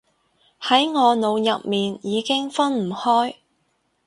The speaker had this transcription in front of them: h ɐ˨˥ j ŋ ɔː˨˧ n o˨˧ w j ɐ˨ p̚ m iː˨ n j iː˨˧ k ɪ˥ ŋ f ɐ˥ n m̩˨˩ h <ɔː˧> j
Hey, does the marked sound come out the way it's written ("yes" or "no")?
no